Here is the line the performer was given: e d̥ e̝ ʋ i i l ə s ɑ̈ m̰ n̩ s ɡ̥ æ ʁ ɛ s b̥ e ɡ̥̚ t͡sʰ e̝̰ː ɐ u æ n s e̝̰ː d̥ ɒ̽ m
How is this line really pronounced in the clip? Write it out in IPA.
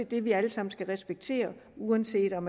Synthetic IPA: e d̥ e̝ ʋ i æ l ə s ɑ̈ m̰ n̩ s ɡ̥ æ ʁ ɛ s b̥ e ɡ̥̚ t͡sʰ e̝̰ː ɐ u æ n s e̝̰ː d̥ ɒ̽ m